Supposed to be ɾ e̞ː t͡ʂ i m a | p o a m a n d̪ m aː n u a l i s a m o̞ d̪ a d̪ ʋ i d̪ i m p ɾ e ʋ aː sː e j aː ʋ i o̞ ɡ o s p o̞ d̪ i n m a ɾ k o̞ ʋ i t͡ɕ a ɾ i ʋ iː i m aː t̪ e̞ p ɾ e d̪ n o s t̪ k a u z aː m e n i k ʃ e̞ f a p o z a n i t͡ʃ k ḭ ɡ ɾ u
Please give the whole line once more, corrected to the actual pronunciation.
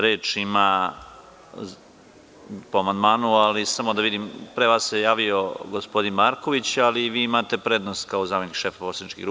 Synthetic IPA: ɾ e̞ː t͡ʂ i m a | p o a m a n d̪ m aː n u a l i s a m o̞ d̪ a ʋ i d̪ i m p ɾ e ʋ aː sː e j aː ʋ i o̞ ɡ o s p o̞ d̪ i n m a ɾ k o̞ ʋ i t͡ɕ a l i ʋ iː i m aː t̪ e̞ p ɾ e d̪ n o s t̪ k a o z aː m e n i k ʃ e̞ f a p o s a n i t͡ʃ k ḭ ɡ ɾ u